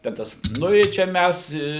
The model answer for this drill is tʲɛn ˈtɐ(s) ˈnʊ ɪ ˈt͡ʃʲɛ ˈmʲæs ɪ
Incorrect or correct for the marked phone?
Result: correct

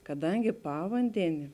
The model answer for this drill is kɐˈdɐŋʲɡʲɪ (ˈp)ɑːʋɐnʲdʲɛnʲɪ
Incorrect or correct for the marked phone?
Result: correct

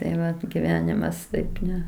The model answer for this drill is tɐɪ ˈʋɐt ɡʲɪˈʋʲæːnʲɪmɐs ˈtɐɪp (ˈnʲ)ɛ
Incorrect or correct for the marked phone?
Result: correct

